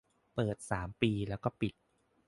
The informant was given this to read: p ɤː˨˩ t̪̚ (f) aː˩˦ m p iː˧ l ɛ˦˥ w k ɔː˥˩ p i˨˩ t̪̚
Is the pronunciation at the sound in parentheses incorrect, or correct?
incorrect: s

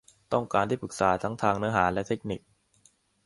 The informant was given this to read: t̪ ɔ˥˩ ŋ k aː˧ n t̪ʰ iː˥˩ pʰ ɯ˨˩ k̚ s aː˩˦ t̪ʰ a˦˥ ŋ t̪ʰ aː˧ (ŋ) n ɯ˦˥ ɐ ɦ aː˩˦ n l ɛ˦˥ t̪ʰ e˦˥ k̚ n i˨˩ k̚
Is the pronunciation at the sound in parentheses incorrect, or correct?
correct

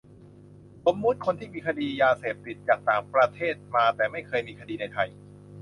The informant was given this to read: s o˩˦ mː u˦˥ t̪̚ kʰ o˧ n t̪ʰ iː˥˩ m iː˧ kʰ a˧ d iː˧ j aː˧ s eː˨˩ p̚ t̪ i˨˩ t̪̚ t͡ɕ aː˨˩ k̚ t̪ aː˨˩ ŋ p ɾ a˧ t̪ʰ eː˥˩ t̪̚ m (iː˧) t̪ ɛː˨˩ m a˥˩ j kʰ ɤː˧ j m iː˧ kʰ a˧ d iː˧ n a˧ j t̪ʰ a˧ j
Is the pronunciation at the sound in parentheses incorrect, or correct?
incorrect: aː˧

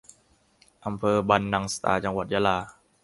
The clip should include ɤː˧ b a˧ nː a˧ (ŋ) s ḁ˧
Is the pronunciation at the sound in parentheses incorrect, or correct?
correct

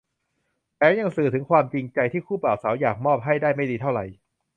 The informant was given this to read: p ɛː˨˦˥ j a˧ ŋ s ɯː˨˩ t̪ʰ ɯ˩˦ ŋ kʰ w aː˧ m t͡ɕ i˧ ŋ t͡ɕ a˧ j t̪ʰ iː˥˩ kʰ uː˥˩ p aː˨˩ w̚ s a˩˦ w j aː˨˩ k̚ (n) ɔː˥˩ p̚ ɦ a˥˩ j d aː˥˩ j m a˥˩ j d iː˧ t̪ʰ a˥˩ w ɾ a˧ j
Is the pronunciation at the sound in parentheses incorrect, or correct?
incorrect: m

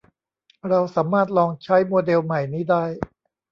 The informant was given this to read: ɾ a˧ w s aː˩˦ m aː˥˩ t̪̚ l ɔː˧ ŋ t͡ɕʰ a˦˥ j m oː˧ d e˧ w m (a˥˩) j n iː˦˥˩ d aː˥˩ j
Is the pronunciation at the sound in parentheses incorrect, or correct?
incorrect: a˨˩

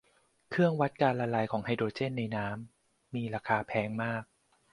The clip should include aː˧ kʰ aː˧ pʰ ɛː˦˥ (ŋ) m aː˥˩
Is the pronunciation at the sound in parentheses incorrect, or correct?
correct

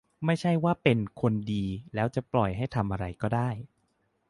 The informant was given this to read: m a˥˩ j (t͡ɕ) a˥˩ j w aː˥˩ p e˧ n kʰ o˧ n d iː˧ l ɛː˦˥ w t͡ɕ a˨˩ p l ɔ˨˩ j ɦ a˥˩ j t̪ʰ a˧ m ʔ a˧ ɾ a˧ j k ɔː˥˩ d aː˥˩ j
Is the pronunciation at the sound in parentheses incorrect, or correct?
incorrect: t͡ɕʰ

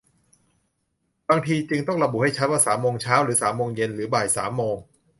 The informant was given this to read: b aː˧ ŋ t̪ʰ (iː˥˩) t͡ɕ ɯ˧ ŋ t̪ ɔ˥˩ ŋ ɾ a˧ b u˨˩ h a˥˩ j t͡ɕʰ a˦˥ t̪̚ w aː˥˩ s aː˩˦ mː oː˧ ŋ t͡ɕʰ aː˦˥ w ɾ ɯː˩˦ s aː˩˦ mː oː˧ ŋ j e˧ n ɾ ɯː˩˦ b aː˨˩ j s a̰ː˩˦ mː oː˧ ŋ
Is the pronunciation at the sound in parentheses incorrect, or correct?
incorrect: iː˧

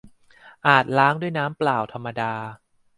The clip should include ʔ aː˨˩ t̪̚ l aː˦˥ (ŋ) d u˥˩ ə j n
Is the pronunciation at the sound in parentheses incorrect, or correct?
correct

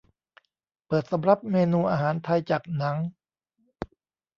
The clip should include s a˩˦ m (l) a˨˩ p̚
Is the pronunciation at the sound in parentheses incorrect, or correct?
incorrect: ɾ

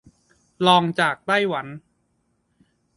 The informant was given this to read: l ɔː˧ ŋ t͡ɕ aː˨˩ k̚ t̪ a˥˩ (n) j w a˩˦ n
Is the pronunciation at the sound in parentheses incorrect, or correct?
incorrect: none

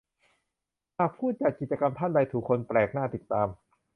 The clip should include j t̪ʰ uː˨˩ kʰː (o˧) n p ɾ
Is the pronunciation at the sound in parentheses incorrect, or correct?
correct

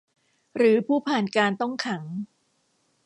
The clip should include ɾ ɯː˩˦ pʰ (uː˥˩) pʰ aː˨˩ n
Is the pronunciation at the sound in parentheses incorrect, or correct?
correct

